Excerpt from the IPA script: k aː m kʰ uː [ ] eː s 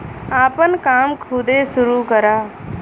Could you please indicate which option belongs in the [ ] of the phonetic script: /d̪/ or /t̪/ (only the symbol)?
d̪